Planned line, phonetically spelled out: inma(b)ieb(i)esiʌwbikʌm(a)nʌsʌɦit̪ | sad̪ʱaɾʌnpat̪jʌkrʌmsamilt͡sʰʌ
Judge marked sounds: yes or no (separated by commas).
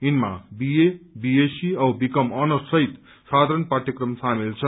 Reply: yes, yes, no